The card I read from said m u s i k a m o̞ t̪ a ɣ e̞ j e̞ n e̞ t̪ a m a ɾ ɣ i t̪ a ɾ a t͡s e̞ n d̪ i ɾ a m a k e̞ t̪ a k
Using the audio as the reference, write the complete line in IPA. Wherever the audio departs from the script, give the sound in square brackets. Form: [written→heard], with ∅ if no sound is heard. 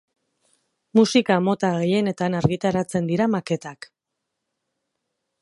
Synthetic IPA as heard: m u s i k a m o̞ t̪ a ɣ e̞ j e̞ n e̞ t̪ a [m→n] a ɾ ɣ i t̪ a ɾ a t͡s e̞ n d̪ i ɾ a m a k e̞ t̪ a k